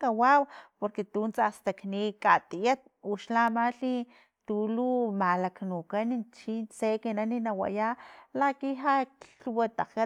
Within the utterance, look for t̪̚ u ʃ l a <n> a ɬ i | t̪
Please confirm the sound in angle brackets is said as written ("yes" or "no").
no